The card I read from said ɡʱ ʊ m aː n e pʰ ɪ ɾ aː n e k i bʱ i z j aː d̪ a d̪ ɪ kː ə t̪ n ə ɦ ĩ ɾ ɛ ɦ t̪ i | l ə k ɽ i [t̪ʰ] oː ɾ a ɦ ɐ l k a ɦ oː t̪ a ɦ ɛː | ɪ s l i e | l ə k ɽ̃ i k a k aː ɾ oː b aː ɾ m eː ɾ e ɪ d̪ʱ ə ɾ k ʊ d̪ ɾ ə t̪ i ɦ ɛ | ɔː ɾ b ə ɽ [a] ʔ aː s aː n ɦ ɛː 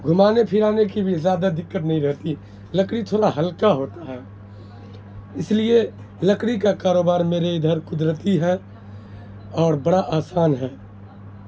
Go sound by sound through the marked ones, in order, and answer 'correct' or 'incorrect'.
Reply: correct, correct

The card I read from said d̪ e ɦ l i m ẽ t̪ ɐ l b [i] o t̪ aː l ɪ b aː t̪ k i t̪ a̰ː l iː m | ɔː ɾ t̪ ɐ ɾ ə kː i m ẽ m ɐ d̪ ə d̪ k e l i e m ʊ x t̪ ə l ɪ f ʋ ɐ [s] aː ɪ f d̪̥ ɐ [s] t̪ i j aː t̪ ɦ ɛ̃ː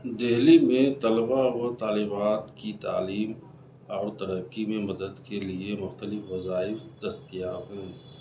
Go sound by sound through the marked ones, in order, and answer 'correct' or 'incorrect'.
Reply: incorrect: a, incorrect: z, correct

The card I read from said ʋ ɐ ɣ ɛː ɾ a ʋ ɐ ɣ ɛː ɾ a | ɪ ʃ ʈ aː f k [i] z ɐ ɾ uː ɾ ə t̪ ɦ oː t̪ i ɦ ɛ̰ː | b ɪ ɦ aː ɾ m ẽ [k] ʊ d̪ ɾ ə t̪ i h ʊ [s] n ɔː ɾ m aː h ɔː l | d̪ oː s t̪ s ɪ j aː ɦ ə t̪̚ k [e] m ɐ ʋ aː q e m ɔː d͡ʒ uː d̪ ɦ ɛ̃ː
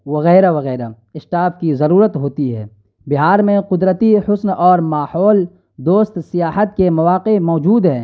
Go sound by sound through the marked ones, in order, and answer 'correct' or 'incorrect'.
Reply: correct, incorrect: q, correct, correct

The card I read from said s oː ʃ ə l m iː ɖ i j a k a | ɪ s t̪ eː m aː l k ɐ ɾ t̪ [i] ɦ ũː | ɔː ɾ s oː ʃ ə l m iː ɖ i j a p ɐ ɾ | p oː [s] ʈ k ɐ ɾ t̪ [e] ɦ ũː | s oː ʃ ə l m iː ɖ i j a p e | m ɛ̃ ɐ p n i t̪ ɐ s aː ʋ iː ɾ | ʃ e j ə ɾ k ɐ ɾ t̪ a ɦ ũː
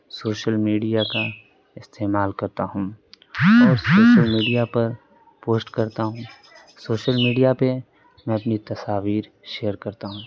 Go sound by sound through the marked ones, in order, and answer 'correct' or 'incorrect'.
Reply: incorrect: a, correct, incorrect: a

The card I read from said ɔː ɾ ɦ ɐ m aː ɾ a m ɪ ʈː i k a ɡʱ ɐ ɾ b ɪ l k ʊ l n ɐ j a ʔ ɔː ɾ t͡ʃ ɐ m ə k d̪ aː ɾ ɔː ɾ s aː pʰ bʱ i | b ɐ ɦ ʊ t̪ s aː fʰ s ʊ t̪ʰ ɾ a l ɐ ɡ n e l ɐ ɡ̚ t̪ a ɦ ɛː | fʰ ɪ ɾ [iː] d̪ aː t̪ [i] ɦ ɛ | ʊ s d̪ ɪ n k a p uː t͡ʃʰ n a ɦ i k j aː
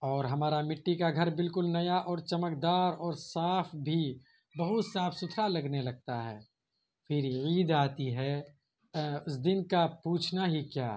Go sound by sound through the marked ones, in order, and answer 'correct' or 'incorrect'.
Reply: correct, correct

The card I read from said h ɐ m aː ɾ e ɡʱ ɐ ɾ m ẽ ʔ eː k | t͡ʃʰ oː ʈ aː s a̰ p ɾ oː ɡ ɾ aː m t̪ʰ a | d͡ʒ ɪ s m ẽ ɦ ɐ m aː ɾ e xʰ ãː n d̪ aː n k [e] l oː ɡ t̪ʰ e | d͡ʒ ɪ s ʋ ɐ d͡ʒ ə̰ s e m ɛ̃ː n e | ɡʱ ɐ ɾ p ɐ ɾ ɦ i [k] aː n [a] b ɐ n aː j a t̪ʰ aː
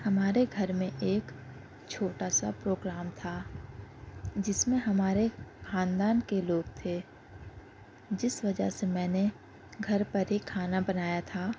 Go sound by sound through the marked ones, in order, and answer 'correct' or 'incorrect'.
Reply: correct, incorrect: kʰ, correct

